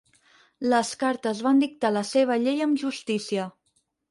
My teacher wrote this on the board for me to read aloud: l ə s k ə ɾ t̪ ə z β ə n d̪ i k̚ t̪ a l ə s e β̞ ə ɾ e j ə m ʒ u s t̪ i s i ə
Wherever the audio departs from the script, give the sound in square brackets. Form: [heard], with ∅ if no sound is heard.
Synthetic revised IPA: l ə s k [a] ɾ t̪ ə z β [a] n d̪ i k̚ t̪ a l ə s e β̞ ə [ʎ] e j ə m ʒ u s t̪ i s i ə